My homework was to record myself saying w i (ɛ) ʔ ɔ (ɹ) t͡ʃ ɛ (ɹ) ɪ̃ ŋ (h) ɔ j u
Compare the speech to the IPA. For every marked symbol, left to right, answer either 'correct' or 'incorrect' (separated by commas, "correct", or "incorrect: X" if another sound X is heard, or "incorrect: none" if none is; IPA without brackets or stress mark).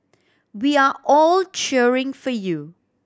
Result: incorrect: a, incorrect: l, correct, incorrect: f